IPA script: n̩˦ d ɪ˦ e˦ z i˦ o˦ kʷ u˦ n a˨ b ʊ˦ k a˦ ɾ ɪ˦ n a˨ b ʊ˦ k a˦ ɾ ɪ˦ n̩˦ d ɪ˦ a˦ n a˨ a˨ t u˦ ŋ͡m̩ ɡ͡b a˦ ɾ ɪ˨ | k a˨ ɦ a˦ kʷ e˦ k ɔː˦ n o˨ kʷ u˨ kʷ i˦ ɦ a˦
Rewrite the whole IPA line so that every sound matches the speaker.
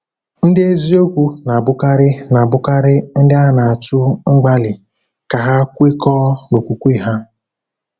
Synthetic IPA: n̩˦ d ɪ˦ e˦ z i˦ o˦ kʷ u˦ n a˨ b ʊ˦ k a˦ ɾ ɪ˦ n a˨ b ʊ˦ k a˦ ɾ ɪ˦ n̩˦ d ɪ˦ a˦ n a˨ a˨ t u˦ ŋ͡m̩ ɡ͡b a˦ l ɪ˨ | k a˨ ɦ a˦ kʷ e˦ k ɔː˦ n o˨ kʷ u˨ kʷ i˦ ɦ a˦